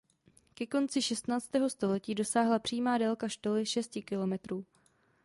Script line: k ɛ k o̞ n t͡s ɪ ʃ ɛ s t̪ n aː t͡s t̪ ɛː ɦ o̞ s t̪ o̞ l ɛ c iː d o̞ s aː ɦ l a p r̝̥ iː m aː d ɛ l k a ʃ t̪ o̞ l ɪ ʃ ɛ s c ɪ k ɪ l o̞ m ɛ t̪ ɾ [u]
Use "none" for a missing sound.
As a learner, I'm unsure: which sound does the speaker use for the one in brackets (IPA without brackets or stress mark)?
uː